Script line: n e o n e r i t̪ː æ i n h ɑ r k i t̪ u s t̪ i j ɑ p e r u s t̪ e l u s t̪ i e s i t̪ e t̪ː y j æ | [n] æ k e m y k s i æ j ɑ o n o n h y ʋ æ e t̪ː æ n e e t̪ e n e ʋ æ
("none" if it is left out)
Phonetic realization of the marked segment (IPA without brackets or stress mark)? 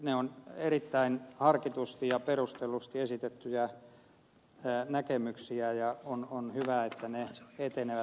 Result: n